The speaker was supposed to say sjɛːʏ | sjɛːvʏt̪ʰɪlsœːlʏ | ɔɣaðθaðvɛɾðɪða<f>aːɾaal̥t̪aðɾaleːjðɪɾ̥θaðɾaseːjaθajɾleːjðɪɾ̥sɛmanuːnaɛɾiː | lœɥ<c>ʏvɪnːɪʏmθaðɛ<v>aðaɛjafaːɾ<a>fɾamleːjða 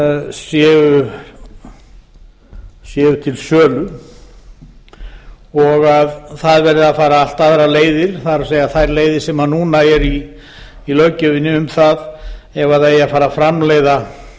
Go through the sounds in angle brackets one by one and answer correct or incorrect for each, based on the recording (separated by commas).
correct, correct, correct, correct